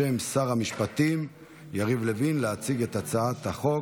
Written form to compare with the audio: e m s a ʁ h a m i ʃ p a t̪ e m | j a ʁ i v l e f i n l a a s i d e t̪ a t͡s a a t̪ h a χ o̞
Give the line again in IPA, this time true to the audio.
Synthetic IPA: e m s a ʁ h a m i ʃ p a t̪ i m | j a ʁ i v l e v i n l e a t͡s i ɡ e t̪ a t͡s a a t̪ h a χ o̞